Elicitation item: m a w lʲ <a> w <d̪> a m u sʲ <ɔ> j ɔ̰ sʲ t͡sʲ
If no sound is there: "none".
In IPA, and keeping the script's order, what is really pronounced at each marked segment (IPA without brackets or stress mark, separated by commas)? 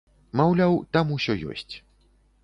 a, t̪, ɔ